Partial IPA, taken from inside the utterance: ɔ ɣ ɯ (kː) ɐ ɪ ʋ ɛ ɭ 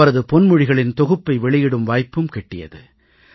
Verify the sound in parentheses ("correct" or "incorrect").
incorrect